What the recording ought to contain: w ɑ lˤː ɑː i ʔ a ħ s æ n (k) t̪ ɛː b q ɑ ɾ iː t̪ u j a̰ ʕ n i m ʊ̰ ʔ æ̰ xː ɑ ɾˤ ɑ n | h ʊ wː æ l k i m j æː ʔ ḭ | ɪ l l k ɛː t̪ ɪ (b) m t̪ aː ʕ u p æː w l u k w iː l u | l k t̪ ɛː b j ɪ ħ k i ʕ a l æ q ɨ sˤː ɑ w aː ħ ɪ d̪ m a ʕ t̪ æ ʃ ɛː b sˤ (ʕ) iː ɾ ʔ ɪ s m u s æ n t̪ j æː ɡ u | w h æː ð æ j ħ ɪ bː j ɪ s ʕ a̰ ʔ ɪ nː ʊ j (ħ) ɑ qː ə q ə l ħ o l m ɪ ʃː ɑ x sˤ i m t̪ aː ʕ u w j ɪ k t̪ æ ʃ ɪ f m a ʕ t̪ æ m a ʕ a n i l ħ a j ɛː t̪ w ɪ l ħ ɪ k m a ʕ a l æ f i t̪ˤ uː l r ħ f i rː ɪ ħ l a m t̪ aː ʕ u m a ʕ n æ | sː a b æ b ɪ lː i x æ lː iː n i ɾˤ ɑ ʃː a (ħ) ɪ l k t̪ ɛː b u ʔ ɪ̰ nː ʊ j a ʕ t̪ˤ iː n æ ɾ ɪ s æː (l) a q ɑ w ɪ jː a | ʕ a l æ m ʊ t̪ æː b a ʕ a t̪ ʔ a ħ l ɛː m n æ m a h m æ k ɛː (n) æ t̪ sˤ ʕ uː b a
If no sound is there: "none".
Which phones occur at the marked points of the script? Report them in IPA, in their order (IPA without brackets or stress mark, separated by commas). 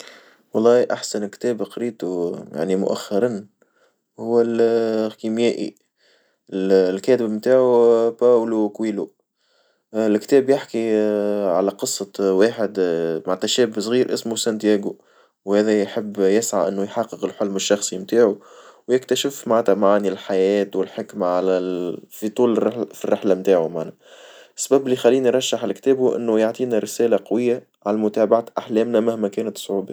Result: k, b, ɣ, ħ, ħ, l, n